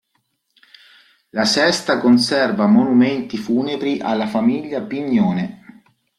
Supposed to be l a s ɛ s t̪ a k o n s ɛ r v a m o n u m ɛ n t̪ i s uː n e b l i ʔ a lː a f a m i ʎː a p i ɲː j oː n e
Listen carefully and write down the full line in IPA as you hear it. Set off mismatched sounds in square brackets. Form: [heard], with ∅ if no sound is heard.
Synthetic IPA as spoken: l a s ɛ s t̪ a k o n s ɛ r v a m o n u m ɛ n t̪ i [f] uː n e b [ɾ] i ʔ a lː a f a m i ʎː a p i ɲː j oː n e